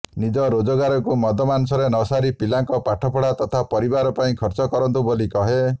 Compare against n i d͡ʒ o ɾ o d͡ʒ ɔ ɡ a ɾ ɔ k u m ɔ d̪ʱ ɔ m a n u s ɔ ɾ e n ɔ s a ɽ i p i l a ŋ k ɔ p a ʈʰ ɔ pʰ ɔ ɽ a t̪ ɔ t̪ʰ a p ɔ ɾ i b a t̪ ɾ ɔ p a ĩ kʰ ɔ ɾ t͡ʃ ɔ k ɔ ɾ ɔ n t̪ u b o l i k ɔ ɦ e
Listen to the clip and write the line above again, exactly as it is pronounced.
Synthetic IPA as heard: n i d͡ʒ ɔ ɾ o d͡ʒ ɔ ɡ a ɾ ɔ k u m ɔ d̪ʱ ɔ m a n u s ɔ ɾ e n ɔ s a ɾ i p i l a ŋ k ɔ p a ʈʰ ɔ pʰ ɔ ɽ a t̪ ɔ t̪ʰ a p ɔ ɾ i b a ɾ ɔ p a ĩ kʰ ɔ ɾ t͡ʃ ɔ k ɔ ɾ ɔ n t̪ u b o l i k ɔ ɦ e